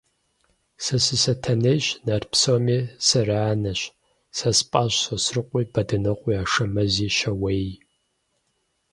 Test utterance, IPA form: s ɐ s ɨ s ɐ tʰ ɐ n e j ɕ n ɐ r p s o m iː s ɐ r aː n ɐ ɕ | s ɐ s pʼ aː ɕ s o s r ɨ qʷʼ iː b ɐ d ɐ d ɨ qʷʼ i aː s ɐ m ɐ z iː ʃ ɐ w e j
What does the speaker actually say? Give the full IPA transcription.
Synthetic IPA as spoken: s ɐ s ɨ s ɐ tʰ ɐ n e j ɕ n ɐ r p s o m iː s ɐ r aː n ɐ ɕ | s ɐ s pʼ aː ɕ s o s r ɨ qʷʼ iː b ɐ d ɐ n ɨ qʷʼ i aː ʂ ɐ m ɐ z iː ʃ ɐ w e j